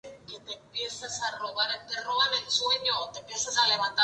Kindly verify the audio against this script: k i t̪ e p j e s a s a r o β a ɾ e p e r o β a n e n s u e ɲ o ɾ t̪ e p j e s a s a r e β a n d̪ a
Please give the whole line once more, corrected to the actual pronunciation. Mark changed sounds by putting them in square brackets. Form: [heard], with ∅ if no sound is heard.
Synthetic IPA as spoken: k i t̪ e p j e s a s a r o β a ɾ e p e r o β a n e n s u e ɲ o [∅] t̪ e p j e s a s a [l] e β a n [t̪] a

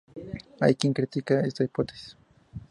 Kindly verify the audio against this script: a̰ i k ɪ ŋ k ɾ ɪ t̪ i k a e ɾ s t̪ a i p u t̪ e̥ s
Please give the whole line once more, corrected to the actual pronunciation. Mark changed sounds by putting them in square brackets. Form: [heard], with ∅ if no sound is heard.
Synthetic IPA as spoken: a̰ [j] k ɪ ŋ k ɾ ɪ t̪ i k a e [∅] s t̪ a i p [o] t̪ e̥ s

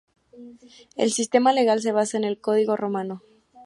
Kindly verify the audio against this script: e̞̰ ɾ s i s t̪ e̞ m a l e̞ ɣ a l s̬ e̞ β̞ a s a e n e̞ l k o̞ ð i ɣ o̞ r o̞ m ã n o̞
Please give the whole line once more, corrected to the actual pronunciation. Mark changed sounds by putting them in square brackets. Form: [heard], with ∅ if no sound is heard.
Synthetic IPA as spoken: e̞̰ [l] s i s t̪ e̞ m a l e̞ ɣ a l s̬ e̞ β̞ a s a e n e̞ l k o̞ ð i ɣ o̞ r o̞ m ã n o̞

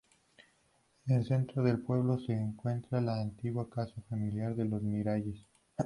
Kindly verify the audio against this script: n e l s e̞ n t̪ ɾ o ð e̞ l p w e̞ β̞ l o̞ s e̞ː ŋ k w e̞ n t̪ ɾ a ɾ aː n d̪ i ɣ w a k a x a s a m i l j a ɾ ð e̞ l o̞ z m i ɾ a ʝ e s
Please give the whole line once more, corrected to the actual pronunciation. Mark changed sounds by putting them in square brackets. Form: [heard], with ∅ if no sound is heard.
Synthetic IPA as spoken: n e l s e̞ n t̪ ɾ o ð e̞ l p w e̞ β̞ l o̞ s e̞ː ŋ k w e̞ n t̪ ɾ a [l] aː n [t̪] i ɣ w a k a [s] a [f] a m i l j a ɾ ð e̞ l o̞ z m i ɾ a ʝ e s

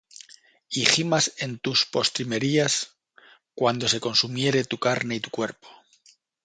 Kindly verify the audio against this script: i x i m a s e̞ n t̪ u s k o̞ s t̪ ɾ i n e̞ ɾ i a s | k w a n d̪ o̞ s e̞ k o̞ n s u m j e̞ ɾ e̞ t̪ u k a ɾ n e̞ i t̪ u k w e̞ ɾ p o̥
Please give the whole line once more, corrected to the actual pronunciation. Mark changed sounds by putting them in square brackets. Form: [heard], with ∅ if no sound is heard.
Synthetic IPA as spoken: i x i m a s e̞ n t̪ u s [p] o̞ s t̪ ɾ i [m] e̞ ɾ i a s | k w a n d̪ o̞ s e̞ k o̞ n s u m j e̞ ɾ e̞ t̪ u k a ɾ n e̞ i t̪ u k w e̞ ɾ p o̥

